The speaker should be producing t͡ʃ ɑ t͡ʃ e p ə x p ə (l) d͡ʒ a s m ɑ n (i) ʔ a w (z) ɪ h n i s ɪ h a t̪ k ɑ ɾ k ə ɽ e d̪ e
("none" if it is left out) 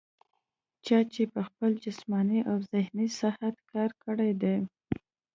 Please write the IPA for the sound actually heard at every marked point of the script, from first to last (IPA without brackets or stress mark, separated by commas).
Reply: l, i, z